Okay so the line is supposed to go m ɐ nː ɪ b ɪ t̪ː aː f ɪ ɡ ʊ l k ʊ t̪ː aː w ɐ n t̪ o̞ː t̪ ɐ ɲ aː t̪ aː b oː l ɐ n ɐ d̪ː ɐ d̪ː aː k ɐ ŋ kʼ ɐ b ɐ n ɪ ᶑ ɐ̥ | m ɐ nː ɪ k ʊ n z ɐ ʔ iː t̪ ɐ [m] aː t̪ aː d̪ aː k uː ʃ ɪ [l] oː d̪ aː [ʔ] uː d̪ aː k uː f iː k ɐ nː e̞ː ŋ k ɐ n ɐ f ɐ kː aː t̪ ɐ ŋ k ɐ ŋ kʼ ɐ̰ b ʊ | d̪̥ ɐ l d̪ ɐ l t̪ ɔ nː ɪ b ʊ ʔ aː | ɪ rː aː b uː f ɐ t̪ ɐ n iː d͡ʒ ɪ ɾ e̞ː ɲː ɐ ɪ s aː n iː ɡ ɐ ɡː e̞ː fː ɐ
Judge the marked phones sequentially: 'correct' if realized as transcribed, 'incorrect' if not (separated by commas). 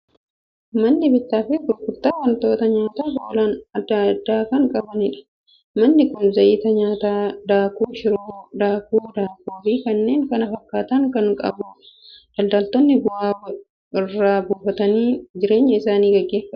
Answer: incorrect, incorrect, incorrect